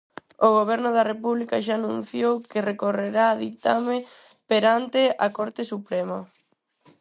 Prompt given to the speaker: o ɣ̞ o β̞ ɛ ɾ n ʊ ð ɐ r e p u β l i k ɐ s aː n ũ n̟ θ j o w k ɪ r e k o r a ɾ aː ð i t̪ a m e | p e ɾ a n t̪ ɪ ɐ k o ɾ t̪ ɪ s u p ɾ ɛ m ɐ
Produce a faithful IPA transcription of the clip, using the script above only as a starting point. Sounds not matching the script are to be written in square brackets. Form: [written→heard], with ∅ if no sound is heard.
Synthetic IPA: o ɣ̞ o β̞ ɛ ɾ n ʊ ð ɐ r e p u β l i k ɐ [s→ʃ] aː n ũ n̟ θ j o w k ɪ r e k o r [a→e] ɾ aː ð i t̪ a m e | p e ɾ a n t̪ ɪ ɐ k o ɾ t̪ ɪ s u p ɾ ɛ m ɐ

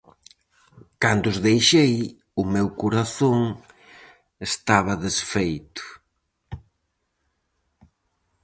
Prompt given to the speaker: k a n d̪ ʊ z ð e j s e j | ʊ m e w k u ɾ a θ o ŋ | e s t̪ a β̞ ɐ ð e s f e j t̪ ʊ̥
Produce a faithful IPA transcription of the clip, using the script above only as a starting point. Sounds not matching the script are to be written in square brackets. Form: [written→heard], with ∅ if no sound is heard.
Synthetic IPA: k a n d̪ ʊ z ð e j [s→ʃ] e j | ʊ m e w k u ɾ a θ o ŋ | e s t̪ a β̞ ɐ ð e s f e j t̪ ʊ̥

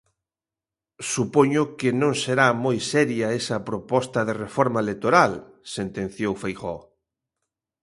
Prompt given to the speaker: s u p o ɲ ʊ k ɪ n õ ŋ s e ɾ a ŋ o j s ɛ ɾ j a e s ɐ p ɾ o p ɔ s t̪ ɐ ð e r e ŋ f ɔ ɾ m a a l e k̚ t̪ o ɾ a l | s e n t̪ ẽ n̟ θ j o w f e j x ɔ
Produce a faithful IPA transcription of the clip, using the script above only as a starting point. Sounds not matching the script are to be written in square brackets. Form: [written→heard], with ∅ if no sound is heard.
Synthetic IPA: s u p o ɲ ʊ k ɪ n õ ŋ s e ɾ a [ŋ→m] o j s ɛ ɾ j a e s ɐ p ɾ o p ɔ s t̪ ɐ ð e r e [ŋ→∅] f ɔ ɾ m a [a→e] l e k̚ t̪ o ɾ a l | s e n t̪ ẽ n̟ θ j o w f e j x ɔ

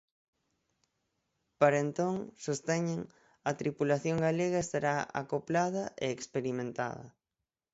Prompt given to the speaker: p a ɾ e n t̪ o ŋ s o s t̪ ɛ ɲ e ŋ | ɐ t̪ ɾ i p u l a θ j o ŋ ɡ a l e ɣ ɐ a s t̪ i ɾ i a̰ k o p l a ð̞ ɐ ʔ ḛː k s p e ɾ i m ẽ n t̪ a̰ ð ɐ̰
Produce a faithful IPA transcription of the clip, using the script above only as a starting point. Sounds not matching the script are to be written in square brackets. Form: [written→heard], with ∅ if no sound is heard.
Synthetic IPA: p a ɾ e n t̪ o ŋ s o s t̪ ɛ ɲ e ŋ | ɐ t̪ ɾ i p u l a θ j o ŋ ɡ a l e ɣ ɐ [a→e] s t̪ [i→a] ɾ [i→a] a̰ k o p l a ð̞ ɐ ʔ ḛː k s p e ɾ i m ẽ n t̪ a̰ ð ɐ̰

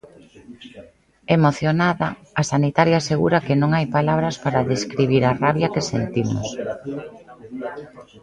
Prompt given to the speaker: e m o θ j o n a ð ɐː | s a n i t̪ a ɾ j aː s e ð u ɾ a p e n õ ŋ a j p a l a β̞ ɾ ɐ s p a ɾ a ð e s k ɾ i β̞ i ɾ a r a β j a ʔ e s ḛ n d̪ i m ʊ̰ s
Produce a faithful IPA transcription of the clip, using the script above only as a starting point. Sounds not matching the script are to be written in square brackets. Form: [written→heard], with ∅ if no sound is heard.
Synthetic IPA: e m o θ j o n a ð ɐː | s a n i t̪ a ɾ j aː s e [ð→ɣ] u ɾ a [p→k] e n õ ŋ a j p a l a β̞ ɾ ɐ s p a ɾ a ð e s k ɾ i β̞ i ɾ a r a β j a [ʔ→k] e s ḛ n [d̪→t̪] i m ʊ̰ s

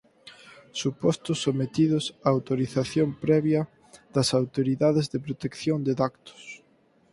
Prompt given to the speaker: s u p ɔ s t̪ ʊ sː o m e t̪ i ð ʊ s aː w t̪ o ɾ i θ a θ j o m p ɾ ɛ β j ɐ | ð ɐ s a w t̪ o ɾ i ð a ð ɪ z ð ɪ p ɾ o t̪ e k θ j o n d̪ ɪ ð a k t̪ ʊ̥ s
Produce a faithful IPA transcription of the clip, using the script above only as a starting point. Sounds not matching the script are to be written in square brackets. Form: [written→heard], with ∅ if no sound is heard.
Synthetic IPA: s u p ɔ s t̪ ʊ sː o m e t̪ i ð ʊ s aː w t̪ o ɾ i θ a θ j o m p ɾ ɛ β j ɐ | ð ɐ s a w t̪ o ɾ i ð a ð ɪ z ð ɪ p ɾ o t̪ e k θ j o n d̪ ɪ ð a k t̪ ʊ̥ s

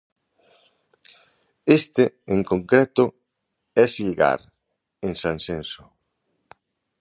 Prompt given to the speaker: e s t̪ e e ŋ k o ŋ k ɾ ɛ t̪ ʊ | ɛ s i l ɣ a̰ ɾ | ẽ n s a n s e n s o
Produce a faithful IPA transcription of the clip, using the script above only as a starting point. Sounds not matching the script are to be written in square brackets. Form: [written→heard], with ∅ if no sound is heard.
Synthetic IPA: e s t̪ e e ŋ k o ŋ k ɾ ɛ t̪ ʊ | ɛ s i l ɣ a̰ ɾ | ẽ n s a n s e n s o

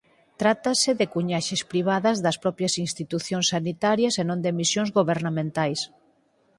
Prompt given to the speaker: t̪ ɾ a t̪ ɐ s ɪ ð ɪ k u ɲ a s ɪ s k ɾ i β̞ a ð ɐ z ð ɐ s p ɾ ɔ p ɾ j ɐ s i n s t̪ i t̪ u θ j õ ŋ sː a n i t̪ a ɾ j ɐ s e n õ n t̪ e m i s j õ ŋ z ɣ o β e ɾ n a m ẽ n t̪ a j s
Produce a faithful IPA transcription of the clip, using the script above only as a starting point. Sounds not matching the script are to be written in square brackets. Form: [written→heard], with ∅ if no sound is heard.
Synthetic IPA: t̪ ɾ a t̪ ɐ s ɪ ð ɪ k u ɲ a [s→ʃ] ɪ s [k→p] ɾ i β̞ a ð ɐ z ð ɐ s p ɾ ɔ p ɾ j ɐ s i n s t̪ i t̪ u θ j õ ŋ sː a n i t̪ a ɾ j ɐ s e n õ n [t̪→d̪] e m i s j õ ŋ z ɣ o β e ɾ n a m ẽ n t̪ a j s

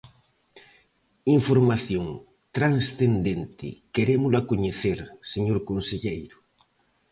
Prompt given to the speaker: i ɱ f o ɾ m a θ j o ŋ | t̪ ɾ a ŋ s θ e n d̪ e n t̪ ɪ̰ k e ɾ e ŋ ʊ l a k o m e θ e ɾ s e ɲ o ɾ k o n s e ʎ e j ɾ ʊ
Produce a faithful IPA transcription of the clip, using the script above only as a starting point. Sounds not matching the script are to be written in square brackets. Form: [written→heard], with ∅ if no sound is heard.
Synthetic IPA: i ɱ f o ɾ m a θ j o ŋ | t̪ ɾ a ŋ s θ e n d̪ e n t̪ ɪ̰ k e ɾ e [ŋ→m] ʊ l a k o [m→ɲ] e θ e ɾ s e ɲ o ɾ k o n s e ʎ e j ɾ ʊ

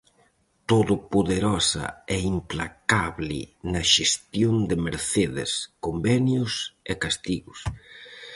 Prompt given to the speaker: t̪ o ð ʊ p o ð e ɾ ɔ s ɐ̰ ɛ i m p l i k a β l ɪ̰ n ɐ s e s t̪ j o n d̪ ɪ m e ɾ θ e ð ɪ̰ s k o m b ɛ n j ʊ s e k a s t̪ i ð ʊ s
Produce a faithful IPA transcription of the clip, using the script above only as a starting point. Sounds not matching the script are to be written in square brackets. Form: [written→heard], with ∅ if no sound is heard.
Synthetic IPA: t̪ o ð ʊ p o ð e ɾ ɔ s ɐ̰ ɛ i m p l [i→a] k a β l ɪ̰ n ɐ [s→ʃ] e s t̪ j o n d̪ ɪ m e ɾ θ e ð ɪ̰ s k o m b ɛ n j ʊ s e k a s t̪ i [ð→ɣ] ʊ s

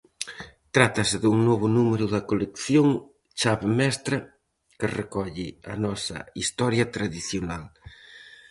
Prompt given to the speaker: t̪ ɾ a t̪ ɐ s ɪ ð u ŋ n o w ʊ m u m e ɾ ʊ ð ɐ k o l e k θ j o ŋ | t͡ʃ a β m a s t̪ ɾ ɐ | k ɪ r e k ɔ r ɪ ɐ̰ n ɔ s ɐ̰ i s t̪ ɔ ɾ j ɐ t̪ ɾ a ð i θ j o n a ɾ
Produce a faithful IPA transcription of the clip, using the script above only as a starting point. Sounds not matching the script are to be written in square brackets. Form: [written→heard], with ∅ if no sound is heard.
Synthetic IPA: t̪ ɾ a t̪ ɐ s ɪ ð u ŋ n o [w→β] ʊ [m→n] u m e ɾ ʊ ð ɐ k o l e k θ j o ŋ | t͡ʃ a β m [a→ɛ] s t̪ ɾ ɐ | k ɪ r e k ɔ [r→ʎ] ɪ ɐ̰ n ɔ s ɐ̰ i s t̪ ɔ ɾ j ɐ t̪ ɾ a ð i θ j o n a [ɾ→l]

